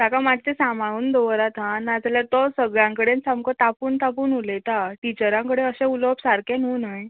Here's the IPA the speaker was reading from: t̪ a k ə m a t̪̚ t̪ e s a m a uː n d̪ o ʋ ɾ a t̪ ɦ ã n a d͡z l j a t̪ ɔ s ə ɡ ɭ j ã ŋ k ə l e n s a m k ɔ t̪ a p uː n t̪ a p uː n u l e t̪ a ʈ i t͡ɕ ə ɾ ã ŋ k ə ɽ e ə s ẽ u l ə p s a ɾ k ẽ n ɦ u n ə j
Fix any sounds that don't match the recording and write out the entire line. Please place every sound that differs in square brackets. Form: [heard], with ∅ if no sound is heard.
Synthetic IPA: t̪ a k [a] m a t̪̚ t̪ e s a m a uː n d̪ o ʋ ɾ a t̪ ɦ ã n a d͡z l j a t̪ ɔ s ə ɡ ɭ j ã ŋ k ə [ɽ] e n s a m k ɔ t̪ a p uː n t̪ a p uː n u l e t̪ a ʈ i t͡ɕ ə ɾ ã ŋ k ə ɽ e ə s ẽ u l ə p s a ɾ k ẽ n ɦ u n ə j